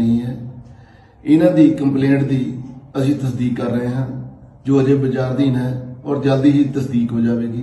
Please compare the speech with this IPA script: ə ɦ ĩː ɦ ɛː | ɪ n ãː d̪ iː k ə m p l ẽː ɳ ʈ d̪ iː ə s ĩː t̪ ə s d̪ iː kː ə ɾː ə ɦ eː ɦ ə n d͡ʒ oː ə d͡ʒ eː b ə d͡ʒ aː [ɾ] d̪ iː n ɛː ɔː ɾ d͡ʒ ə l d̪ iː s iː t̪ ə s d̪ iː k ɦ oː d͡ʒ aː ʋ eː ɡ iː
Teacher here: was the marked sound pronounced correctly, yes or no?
yes